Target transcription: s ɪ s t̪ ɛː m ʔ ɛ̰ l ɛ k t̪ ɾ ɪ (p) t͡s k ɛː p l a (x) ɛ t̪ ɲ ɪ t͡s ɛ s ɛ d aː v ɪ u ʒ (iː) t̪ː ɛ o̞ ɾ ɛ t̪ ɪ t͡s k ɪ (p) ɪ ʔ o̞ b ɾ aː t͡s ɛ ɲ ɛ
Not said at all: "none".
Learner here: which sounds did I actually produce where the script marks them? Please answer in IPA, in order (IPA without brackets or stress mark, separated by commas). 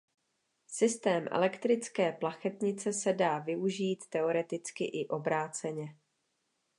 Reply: none, x, iː, ʔ